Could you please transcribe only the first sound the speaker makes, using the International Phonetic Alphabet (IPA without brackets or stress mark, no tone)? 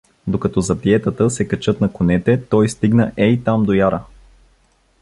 d̪